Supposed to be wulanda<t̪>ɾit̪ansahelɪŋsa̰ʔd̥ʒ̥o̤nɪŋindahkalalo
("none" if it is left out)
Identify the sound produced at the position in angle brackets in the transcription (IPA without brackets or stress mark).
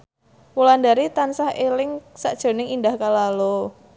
none